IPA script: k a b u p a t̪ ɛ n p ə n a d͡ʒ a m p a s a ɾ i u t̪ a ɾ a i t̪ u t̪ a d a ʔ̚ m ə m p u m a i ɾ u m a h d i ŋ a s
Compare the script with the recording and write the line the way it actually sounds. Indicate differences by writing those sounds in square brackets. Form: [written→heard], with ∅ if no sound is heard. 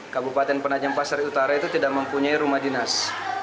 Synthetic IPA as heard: k a b u p a t̪ ɛ n p ə n a d͡ʒ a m p a s a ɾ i u t̪ a ɾ a i t̪ u t̪ [a→i] d a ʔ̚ m ə m p u [m→ɲ] a i ɾ u m a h d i [ŋ→n] a s